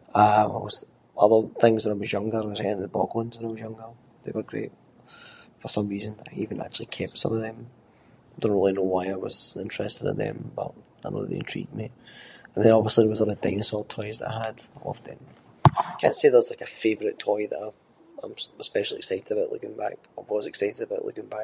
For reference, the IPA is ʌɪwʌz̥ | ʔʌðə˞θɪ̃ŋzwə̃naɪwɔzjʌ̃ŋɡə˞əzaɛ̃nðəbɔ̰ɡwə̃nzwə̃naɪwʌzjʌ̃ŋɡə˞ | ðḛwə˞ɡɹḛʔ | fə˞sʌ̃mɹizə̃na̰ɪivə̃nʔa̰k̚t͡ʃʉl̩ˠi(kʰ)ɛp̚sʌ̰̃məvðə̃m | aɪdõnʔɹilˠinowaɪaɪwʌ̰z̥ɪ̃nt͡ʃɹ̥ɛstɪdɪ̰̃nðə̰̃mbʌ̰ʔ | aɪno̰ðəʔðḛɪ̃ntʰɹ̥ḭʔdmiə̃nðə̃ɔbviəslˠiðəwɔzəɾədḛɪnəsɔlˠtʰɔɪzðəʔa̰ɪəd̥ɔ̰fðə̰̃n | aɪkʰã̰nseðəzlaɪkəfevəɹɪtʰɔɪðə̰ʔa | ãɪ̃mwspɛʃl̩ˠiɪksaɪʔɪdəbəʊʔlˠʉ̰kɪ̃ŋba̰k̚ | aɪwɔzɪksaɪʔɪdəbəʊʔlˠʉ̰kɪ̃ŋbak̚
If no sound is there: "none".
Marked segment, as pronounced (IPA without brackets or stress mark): kʰ